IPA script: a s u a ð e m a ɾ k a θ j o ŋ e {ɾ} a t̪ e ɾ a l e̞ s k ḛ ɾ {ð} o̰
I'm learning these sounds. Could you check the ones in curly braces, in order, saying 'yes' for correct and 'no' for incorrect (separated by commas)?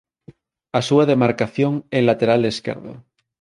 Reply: no, yes